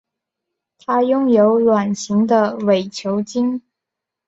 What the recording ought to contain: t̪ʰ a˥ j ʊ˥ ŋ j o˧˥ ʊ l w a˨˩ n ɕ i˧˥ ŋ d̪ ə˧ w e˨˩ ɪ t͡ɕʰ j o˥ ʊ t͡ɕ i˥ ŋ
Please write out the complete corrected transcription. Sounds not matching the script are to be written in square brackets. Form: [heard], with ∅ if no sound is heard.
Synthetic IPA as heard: t̪ʰ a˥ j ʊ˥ ŋ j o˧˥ ʊ l w a˨˩ n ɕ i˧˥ ŋ d̪ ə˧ w e˨˩ ɪ t͡ɕʰ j [o˧˥] ʊ t͡ɕ i˥ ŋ